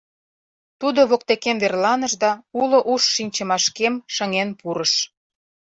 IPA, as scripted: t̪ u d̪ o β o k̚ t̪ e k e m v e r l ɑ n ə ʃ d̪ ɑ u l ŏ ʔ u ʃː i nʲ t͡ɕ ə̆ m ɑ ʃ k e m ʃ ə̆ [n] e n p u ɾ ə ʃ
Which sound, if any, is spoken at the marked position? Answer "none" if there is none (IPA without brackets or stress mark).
ŋ